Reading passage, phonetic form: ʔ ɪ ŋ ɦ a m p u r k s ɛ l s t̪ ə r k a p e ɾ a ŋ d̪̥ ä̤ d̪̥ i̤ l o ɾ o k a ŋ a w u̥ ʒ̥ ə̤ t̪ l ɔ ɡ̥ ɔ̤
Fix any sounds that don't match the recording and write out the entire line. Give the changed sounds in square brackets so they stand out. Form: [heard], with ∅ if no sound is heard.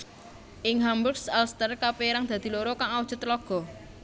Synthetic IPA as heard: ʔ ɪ ŋ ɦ a m [b] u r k s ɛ l s t̪ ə r k a p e ɾ a ŋ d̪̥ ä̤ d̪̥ i̤ l o ɾ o k a ŋ a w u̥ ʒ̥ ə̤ t̪ l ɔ ɡ̥ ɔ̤